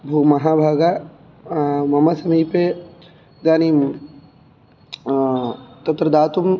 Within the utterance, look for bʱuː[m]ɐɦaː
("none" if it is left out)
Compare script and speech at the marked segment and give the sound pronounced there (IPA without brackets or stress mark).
m